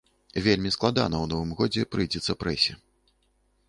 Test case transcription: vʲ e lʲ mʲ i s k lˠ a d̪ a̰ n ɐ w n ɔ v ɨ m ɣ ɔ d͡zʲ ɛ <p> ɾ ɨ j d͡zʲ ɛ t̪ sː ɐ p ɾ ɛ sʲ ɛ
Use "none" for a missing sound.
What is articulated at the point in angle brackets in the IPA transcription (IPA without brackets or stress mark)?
p